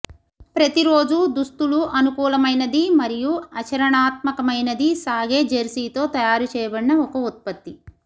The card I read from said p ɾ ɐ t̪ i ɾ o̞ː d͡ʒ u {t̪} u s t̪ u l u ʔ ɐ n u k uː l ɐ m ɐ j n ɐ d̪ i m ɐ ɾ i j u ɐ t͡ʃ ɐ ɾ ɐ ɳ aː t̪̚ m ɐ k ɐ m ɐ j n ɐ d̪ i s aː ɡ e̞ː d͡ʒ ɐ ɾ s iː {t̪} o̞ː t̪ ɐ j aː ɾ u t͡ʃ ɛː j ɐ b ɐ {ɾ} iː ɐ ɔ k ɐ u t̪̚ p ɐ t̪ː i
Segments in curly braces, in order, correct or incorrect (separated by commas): incorrect, correct, incorrect